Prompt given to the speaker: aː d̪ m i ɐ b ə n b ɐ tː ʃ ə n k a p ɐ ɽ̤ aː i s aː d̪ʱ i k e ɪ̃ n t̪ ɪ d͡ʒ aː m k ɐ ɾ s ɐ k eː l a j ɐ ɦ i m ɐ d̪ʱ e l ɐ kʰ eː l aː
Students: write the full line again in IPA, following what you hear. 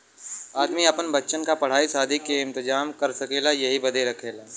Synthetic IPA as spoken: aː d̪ m i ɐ p ə n b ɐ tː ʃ ə n k a p ɐ ɽ̤ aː i s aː d̪ʱ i k e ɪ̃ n t̪ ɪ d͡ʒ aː m k ɐ ɾ s ɐ k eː l a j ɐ ɦ i b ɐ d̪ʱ e ɾ ɐ kʰ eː l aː